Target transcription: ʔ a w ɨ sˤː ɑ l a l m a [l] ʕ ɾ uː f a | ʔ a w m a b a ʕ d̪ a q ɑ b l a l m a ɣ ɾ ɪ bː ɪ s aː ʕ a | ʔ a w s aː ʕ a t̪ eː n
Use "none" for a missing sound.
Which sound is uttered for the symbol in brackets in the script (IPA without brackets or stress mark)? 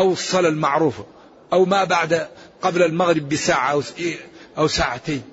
none